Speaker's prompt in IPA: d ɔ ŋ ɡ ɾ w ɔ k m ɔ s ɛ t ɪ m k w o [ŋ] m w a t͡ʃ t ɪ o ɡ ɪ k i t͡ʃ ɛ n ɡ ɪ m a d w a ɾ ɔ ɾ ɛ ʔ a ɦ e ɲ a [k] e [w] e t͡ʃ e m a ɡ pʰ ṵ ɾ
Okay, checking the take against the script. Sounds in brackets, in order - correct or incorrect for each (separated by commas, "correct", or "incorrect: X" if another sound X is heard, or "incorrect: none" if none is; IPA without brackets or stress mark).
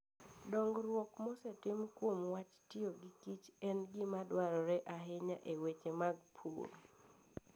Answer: incorrect: none, incorrect: ʔ, correct